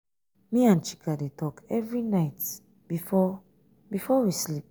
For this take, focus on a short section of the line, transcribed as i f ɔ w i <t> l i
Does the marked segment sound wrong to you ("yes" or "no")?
yes